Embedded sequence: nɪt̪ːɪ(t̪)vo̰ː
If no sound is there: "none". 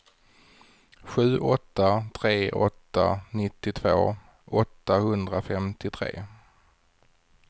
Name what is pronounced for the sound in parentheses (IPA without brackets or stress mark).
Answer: t̪ʰ